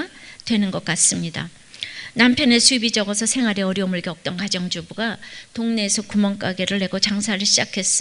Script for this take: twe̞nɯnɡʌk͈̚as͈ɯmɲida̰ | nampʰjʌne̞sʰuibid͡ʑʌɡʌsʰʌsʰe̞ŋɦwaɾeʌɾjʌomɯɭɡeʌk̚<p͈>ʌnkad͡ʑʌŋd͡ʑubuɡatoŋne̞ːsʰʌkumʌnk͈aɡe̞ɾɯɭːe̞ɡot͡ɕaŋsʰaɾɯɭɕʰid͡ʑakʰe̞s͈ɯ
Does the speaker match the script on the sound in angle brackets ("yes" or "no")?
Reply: no